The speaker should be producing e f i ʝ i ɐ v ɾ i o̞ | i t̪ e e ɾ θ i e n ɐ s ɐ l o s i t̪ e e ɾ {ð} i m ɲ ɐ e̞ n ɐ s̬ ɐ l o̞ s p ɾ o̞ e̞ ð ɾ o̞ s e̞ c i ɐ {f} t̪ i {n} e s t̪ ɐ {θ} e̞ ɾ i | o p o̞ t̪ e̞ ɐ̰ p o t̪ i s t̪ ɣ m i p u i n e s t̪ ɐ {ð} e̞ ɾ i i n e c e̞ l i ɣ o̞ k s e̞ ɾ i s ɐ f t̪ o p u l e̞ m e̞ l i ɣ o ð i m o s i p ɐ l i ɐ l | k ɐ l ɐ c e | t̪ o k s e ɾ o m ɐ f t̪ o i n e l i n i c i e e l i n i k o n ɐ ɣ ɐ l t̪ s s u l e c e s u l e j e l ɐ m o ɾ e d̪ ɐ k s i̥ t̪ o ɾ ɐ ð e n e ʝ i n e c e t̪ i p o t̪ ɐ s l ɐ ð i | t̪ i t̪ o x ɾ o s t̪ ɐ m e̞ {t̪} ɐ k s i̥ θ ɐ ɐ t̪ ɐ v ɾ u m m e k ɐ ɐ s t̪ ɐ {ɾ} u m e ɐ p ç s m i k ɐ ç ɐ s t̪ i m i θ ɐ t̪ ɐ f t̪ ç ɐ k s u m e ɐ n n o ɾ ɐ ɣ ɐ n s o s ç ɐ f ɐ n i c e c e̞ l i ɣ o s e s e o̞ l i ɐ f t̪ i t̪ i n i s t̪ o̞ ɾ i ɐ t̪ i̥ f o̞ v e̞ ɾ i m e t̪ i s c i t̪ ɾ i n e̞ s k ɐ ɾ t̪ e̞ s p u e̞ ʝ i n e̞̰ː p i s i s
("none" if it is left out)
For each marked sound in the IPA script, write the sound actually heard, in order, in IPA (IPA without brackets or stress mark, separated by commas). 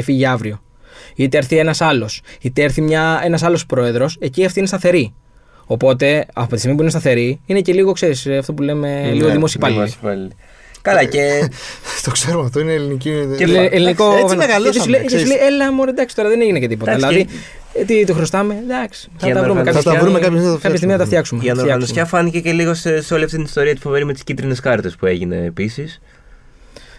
θ, f, n, θ, θ, d̪, ɾ